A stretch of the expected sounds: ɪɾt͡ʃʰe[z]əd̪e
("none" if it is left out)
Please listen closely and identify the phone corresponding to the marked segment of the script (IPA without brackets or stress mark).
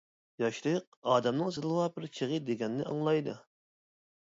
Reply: ʁ